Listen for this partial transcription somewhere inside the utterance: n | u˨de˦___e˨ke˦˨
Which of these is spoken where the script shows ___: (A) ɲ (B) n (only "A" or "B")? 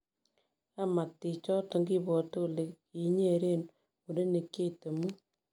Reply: B